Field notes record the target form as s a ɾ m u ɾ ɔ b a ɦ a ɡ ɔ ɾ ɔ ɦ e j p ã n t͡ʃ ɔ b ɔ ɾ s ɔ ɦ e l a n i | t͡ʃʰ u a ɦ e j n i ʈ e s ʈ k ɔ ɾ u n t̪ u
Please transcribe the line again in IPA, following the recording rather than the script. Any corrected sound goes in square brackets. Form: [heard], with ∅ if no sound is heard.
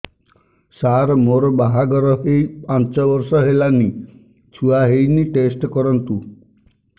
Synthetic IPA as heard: s a ɾ m [o] ɾ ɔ b a ɦ a ɡ ɔ ɾ ɔ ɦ e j p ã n t͡ʃ ɔ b ɔ ɾ s ɔ ɦ e l a n i | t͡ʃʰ u a ɦ e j n i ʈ e s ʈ k ɔ ɾ [ɔ] n t̪ u